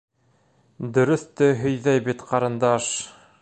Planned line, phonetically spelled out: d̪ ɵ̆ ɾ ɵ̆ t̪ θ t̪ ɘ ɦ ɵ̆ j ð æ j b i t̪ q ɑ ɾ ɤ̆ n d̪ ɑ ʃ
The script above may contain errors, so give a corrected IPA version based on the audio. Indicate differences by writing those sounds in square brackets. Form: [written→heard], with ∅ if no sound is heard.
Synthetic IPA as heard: d̪ ɵ̆ ɾ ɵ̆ [t̪→∅] θ t̪ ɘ ɦ ɵ̆ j ð æ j b i t̪ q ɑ ɾ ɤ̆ n d̪ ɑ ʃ